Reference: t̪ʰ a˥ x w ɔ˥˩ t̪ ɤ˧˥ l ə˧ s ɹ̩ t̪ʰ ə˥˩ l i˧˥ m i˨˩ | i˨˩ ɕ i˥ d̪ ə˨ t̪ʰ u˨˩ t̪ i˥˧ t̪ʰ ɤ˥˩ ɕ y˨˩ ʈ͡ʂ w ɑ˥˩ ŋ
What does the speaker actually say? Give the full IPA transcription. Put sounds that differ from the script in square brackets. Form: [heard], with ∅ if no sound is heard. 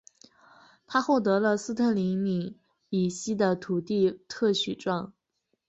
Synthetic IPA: t̪ʰ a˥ x w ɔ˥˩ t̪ ɤ˧˥ l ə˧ s ɹ̩ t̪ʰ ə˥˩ l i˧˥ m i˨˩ | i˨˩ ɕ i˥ d̪ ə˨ t̪ʰ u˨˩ t̪ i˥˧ t̪ʰ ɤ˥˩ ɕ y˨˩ ʈ͡ʂ w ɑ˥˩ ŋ